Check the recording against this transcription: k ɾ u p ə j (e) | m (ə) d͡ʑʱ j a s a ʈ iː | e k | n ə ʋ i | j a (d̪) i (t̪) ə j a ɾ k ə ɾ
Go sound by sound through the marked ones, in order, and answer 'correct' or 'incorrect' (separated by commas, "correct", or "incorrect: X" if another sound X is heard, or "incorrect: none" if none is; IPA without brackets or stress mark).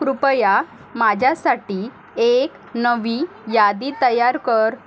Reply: incorrect: a, incorrect: a, correct, correct